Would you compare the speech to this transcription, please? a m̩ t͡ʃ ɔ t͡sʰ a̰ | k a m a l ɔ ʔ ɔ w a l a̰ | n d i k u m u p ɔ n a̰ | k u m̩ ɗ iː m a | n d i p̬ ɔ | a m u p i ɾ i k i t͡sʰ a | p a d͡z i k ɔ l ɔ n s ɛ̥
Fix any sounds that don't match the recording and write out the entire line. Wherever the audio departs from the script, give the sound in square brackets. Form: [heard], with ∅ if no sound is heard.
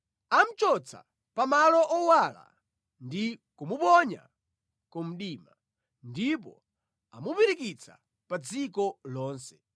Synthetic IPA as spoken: a m̩ t͡ʃ ɔ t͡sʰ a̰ | [p] a m a l ɔ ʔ ɔ w a l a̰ | n d i k u m u p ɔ [ɲ] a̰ | k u m̩ ɗ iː m a | n d i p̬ ɔ | a m u p i ɾ i k i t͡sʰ a | p a d͡z i k ɔ l [ɔː] n s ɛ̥

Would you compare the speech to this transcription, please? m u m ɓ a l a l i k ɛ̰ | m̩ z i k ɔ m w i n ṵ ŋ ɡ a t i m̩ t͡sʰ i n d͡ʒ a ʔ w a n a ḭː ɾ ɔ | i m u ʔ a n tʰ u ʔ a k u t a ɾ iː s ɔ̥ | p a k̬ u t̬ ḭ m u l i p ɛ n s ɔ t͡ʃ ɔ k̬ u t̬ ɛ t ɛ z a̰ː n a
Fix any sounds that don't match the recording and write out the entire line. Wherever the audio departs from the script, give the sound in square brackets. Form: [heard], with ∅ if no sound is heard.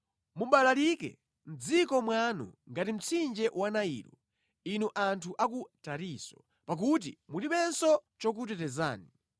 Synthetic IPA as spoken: m u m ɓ a l a l i k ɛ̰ | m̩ [d͡z] i k ɔ m w [a] n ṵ ŋ ɡ a t i m̩ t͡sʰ i n d͡ʒ [ɛ] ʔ w a n a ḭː ɾ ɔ | i [n] u ʔ a n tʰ u ʔ a k u t a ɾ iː s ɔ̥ | p a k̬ u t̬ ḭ m u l i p ɛ n s ɔ t͡ʃ ɔ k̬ u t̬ ɛ t ɛ z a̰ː n [i]

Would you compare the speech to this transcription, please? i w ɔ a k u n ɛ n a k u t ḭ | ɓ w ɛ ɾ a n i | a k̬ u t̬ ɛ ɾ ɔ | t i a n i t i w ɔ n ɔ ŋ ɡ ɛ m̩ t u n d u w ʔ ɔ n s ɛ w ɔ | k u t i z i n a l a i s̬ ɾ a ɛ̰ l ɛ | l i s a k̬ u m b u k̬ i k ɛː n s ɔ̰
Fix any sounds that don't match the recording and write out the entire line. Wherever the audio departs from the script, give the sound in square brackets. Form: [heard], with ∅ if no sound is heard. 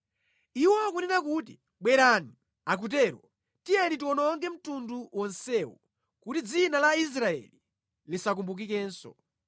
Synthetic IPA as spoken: i w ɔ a k u n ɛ n a k u t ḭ | ɓ w ɛ ɾ a n i | a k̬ u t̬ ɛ ɾ ɔ | t i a n i t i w ɔ n ɔ ŋ ɡ ɛ m̩ t u n d u w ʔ ɔ n s ɛ w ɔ | k u t i [d͡z] i n a l a i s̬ ɾ a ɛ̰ l [i] | l i s a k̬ u m b u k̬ i k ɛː n s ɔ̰

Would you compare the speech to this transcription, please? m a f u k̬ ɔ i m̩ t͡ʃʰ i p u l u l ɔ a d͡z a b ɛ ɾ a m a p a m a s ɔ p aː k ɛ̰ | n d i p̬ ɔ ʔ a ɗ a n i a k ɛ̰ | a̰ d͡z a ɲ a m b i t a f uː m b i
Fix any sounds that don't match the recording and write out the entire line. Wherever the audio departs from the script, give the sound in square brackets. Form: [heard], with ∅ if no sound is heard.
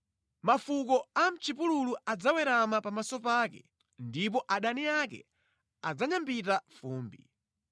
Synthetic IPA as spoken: m a f u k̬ ɔ [a] m̩ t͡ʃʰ i p u l u l [u] a d͡z a [w] ɛ ɾ a m a p a m a s ɔ p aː k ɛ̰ | n d i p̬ ɔ ʔ a ɗ a n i a k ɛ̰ | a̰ d͡z a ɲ a m b i t a f uː m b i

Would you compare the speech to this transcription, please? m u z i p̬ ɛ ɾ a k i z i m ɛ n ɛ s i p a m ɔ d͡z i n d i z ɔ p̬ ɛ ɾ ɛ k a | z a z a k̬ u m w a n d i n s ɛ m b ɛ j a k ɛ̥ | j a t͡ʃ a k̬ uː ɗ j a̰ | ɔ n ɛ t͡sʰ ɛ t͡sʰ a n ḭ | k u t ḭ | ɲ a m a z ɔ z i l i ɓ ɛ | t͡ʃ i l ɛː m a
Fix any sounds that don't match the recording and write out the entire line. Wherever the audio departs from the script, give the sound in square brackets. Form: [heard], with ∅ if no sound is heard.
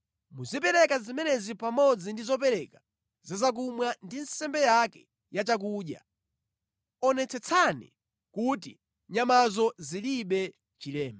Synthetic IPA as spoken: m u z i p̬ ɛ ɾ [ɛ] k [a] z i m ɛ n ɛ [z] i p a m ɔ d͡z i n d i z ɔ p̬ ɛ ɾ ɛ k a | z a z a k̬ u m w a n d i n s ɛ m b ɛ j a k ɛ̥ | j a t͡ʃ a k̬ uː ɗ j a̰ | ɔ n ɛ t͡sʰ ɛ t͡sʰ a n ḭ | k u t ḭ | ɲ a m a z ɔ z i l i ɓ ɛ | t͡ʃ i l ɛː m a

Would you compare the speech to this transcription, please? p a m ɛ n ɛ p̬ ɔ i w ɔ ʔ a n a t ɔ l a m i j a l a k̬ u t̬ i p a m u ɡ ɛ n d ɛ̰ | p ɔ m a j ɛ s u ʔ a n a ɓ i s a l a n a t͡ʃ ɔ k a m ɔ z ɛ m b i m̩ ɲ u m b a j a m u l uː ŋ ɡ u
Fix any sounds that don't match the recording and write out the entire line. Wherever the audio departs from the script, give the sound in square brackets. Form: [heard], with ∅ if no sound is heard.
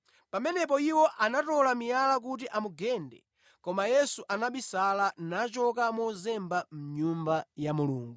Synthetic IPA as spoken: p a m ɛ n ɛ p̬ ɔ i w ɔ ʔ a n a t ɔ l a m i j a l a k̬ u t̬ i [ʔ] a m u ɡ ɛ n d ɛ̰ | [k] ɔ m a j ɛ s u ʔ a n a ɓ i s a l a n a t͡ʃ ɔ k a m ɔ z ɛ m b [a] m̩ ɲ u m b a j a m u l uː ŋ ɡ u

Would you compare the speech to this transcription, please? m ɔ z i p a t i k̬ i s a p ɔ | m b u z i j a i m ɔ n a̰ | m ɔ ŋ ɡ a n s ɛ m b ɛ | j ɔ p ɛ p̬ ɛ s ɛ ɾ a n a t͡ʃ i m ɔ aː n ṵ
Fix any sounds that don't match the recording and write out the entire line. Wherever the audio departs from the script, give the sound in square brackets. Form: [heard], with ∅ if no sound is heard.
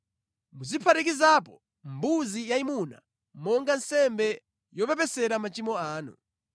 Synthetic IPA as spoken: m [u] z i [pʰ] a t i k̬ i [z] a p ɔ | m b u z i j a i m [u] n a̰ | m ɔ ŋ ɡ a n s ɛ m b ɛ | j ɔ p ɛ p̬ ɛ s ɛ ɾ a [m] a t͡ʃ i m ɔ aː n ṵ

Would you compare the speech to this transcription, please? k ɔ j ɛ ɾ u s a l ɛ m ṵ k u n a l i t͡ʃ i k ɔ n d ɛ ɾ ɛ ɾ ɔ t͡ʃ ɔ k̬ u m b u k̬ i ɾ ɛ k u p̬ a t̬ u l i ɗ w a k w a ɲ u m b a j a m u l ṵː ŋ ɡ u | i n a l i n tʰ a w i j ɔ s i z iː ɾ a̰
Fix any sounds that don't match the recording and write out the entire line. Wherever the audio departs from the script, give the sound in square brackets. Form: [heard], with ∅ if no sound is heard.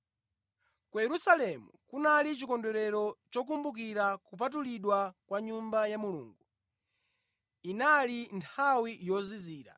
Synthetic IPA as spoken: k [u] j ɛ ɾ u s a l ɛ m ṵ k u n a l i t͡ʃ i k ɔ n d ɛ ɾ ɛ ɾ ɔ t͡ʃ ɔ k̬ u m b u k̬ i ɾ [a] k u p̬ a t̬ u l i ɗ w a k w a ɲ u m b a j a m u l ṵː ŋ ɡ u | i n a l i n tʰ a w i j ɔ [z] i z iː ɾ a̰

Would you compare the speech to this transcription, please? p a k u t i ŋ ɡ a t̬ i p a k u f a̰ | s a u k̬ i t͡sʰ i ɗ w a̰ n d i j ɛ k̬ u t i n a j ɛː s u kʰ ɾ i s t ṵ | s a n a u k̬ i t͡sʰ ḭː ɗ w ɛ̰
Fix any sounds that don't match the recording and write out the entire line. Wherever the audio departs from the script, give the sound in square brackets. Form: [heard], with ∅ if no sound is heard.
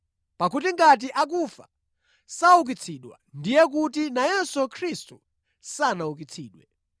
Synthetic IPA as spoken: p a k u t i ŋ ɡ a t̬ i [ʔ] a k u f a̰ | s a u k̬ i t͡sʰ i ɗ w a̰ n d i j ɛ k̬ u t i n a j [ɛ] s u kʰ ɾ i s t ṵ | s a n a u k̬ i t͡sʰ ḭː ɗ w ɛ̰

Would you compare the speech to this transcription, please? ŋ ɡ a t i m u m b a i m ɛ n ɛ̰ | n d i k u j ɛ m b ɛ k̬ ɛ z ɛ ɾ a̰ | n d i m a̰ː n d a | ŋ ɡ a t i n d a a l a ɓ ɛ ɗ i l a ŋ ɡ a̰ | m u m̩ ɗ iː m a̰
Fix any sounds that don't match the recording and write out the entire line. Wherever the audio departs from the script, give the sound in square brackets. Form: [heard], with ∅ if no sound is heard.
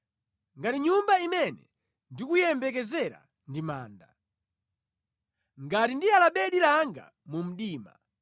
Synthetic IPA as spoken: ŋ ɡ a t i [ɲ] u m b a i m ɛ n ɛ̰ | n d i k u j ɛ m b ɛ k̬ ɛ z ɛ ɾ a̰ | n d i m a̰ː n d a | ŋ ɡ a t i n d [i] a l a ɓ ɛ ɗ i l a ŋ ɡ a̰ | m u m̩ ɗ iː m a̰

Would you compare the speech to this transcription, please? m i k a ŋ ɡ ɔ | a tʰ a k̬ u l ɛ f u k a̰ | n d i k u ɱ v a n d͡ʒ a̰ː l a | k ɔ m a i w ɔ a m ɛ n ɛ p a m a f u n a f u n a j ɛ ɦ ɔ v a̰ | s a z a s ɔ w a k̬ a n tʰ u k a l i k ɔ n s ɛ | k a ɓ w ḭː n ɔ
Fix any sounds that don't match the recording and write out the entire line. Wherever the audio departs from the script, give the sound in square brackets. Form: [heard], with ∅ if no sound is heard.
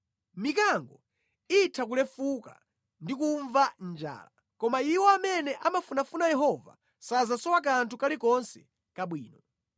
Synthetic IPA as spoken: m i k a ŋ ɡ ɔ | [i] tʰ a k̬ u l ɛ f u k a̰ | n d i k u ɱ v a n d͡ʒ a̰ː l a | k ɔ m a i w ɔ a m ɛ n ɛ [ʔ] a m a f u n a f u n a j ɛ ɦ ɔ v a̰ | s a z a s ɔ w a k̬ a n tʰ u k a l i k ɔ n s ɛ | k a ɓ w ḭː n ɔ

